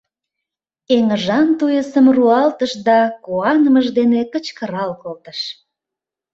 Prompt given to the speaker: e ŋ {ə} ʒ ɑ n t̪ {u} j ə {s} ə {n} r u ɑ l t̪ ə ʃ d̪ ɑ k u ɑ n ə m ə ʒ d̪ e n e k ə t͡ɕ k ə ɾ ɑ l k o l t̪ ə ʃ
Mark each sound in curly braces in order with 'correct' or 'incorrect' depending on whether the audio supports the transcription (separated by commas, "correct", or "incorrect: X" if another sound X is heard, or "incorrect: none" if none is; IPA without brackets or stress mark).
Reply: correct, correct, correct, incorrect: m